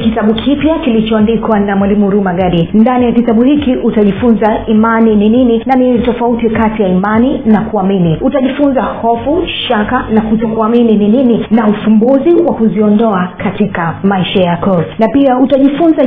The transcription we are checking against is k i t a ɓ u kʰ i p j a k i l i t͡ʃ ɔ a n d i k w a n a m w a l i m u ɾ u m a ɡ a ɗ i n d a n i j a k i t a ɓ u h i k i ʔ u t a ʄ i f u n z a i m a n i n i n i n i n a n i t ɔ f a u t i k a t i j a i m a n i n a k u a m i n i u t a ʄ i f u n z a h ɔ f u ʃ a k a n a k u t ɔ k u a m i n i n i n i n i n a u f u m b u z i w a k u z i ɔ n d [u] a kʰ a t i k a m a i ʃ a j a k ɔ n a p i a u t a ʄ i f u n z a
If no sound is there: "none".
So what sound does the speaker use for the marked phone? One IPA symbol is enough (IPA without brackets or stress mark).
ɔ